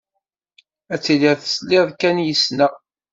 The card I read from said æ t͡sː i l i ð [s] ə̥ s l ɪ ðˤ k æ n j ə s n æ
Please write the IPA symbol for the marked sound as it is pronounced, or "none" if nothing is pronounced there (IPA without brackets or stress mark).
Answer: θ